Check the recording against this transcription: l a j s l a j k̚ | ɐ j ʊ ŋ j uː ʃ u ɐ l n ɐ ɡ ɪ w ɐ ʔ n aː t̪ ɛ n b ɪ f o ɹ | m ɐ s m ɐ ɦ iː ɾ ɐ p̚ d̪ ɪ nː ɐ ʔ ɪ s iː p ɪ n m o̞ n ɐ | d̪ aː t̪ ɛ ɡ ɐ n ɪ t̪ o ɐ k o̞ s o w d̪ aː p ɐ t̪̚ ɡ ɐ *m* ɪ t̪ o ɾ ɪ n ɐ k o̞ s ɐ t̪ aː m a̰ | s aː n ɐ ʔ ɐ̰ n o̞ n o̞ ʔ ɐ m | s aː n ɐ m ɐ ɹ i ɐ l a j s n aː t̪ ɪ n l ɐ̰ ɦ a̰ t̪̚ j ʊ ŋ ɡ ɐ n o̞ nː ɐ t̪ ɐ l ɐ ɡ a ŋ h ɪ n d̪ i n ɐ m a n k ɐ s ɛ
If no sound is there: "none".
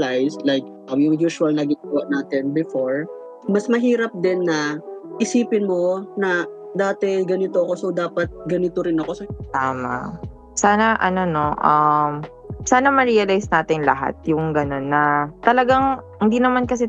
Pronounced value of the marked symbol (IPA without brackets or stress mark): n